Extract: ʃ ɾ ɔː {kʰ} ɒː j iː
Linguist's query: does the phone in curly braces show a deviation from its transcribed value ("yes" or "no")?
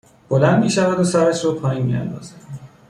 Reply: yes